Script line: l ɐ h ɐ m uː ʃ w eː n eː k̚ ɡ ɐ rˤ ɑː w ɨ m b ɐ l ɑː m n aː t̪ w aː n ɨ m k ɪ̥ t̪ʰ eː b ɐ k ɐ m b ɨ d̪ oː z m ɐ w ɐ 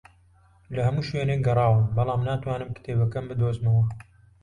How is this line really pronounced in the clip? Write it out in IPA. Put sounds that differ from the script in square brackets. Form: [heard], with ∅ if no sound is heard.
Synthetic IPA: l ɐ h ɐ m uː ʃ w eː n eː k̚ ɡ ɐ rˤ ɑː w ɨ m b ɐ l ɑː m n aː t̪ w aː n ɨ m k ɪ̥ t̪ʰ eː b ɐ k ɐ m b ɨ d̪ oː z m ɐ w ɐ